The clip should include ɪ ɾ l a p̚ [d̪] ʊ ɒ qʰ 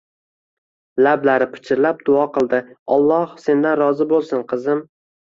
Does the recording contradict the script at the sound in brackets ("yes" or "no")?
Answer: no